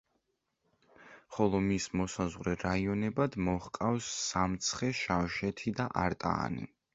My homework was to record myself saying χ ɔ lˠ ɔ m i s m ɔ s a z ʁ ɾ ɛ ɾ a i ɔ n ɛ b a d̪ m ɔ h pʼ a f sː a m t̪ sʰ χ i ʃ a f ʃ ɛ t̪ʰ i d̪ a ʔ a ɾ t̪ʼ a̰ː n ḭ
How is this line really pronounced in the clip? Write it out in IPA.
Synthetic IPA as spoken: χ ɔ lˠ ɔ m i s m ɔ s a z ʁ ɾ ɛ ɾ a i ɔ n ɛ b a d̪ m ɔ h kʼ a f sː a m t̪ sʰ χ ɛ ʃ a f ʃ ɛ t̪ʰ i d̪ a ʔ a ɾ t̪ʼ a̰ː n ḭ